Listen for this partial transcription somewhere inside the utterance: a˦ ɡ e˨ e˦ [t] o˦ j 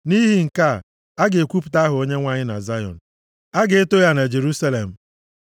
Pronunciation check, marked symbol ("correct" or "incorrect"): correct